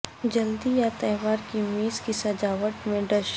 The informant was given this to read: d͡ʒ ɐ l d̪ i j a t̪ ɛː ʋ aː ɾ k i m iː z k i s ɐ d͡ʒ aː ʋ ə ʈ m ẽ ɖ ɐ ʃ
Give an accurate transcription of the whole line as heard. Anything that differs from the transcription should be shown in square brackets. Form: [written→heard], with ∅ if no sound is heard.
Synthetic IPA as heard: d͡ʒ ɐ l d̪ i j a t̪ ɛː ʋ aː ɾ k i m iː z k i s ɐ d͡ʒ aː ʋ ə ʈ m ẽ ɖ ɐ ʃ

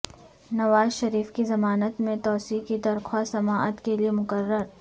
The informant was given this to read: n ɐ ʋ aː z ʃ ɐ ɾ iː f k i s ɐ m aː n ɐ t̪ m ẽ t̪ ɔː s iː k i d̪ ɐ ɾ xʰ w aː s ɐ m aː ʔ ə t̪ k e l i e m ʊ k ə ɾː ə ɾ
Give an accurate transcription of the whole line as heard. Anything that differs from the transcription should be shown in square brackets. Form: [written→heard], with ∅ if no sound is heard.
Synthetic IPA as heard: n ɐ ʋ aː z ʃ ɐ ɾ iː f k i [s→z] ɐ m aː n [ɐ→ə] t̪ m ẽ t̪ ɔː s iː k i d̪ ɐ ɾ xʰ w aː s ɐ m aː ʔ ə t̪ k e l i e m ʊ k ə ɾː ə ɾ

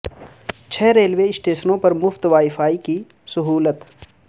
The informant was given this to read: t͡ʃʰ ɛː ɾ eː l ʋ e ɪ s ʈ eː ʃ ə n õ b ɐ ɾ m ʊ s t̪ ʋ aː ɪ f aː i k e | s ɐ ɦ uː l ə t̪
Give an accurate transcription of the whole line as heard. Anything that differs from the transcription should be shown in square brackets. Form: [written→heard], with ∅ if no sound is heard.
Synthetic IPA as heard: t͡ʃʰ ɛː ɾ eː l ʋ e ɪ s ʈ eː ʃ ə n õ [b→p] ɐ ɾ m ʊ [s→f] t̪ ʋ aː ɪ f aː i k [e→i] | s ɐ ɦ uː l ə t̪

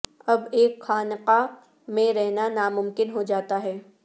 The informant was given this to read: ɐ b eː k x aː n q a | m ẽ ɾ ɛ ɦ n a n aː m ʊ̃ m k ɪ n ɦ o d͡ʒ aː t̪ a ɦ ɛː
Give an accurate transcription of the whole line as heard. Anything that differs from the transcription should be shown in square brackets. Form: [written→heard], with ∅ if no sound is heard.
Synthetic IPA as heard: ɐ b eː k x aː n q a | m ẽ ɾ ɛ ɦ n a n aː m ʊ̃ m k ɪ n ɦ o d͡ʒ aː t̪ a ɦ ɛː

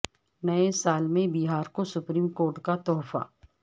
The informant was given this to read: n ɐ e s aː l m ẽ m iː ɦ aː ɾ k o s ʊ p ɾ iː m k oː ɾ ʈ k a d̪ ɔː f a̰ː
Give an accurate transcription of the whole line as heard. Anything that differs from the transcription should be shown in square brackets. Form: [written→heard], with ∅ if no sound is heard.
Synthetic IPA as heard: n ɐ e s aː l m ẽ [m→b] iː ɦ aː ɾ k o s ʊ p ɾ iː m k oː ɾ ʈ k a [d̪→t̪] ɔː f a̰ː

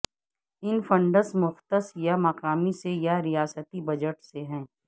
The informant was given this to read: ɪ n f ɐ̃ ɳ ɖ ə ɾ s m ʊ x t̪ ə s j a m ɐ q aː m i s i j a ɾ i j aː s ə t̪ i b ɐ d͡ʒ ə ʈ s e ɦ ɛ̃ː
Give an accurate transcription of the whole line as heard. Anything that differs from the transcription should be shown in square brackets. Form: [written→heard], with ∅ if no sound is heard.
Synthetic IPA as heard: ɪ n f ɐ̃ ɳ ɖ ə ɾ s m ʊ x t̪ ə s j a m ɐ q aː m i s [i→e] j a ɾ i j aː s ə t̪ i b ɐ d͡ʒ ə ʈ s e ɦ ɛ̃ː

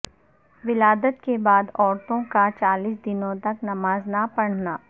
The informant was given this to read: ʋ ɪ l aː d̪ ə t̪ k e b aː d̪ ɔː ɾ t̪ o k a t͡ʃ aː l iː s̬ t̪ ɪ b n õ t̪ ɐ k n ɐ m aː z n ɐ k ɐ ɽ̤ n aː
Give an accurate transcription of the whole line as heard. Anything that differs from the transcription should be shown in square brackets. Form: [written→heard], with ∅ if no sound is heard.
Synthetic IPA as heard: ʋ ɪ l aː d̪ ə t̪ k e b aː d̪ ɔː ɾ t̪ [o→õ] k a t͡ʃ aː l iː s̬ [t̪→d̪] ɪ [b→∅] n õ t̪ ɐ k n ɐ m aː z n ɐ [k→p] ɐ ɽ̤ n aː

